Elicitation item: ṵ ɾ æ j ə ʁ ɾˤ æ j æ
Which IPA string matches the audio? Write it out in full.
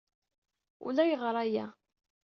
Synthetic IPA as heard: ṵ l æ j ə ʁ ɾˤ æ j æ